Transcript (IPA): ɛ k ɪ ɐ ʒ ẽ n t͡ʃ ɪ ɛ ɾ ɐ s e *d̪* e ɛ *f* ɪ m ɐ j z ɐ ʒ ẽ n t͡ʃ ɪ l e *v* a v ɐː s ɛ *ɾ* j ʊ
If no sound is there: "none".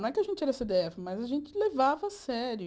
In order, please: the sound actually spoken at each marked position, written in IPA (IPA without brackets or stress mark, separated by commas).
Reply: d̪, f, v, ɾ